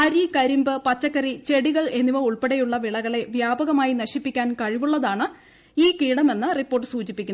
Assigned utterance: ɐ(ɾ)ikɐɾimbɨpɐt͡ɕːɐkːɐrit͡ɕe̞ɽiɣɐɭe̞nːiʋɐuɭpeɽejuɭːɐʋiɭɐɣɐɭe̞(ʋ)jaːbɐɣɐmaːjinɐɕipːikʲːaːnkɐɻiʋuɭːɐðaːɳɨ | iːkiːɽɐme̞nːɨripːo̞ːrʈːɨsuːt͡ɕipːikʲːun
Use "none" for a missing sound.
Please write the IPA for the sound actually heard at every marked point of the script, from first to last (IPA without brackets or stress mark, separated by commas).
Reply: ɾ, ʋ